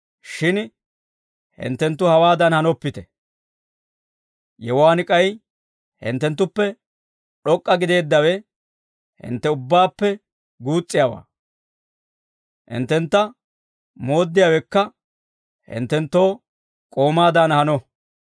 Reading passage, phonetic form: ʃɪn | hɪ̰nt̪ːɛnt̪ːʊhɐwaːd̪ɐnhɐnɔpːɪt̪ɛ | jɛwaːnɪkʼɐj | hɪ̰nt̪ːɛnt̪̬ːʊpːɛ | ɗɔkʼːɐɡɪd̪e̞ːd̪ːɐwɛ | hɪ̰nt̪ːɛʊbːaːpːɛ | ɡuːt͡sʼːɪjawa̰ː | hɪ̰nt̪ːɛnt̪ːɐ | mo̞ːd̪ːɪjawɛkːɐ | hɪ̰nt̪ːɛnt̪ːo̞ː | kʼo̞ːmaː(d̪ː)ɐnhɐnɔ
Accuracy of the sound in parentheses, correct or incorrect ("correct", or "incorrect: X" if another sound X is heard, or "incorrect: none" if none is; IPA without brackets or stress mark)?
incorrect: d̪